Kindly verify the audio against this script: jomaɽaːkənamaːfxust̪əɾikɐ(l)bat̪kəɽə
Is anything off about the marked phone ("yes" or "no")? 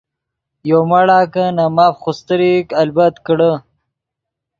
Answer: no